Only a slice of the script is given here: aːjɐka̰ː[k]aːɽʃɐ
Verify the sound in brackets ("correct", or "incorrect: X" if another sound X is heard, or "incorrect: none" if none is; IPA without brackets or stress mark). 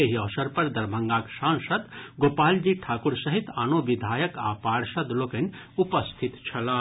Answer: incorrect: p